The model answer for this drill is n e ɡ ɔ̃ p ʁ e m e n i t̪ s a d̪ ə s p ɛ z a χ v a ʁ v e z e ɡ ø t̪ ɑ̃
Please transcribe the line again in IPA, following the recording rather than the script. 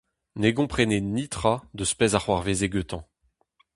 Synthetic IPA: n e ɡ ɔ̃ p χ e n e n i t̪ χ a d̪ ə s p ɛ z a χ w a ʁ v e z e ɡ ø t̪ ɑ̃